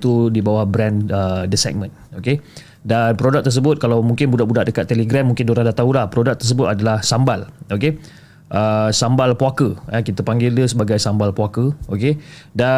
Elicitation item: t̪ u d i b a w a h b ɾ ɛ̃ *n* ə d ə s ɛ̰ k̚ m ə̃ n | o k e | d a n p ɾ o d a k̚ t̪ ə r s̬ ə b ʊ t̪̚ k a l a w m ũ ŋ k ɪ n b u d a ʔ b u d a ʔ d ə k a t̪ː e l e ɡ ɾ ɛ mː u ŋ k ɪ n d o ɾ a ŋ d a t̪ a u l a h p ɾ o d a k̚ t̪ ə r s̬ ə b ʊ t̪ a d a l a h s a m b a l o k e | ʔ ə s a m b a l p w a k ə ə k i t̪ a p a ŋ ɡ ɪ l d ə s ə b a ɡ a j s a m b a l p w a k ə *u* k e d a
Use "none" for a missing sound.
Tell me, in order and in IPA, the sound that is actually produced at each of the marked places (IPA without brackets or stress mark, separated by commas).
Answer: n, o